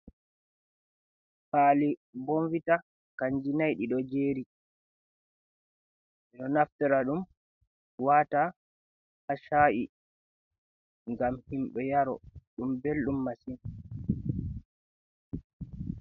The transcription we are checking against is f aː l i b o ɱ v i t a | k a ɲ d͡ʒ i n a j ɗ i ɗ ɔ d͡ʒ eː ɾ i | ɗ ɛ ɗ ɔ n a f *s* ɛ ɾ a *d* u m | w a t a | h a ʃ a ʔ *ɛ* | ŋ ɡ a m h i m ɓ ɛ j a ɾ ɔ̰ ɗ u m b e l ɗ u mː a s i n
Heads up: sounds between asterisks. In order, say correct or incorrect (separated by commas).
incorrect, incorrect, incorrect